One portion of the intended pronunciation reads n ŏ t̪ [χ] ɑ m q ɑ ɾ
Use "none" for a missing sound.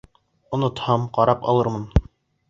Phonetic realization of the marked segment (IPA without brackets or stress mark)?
h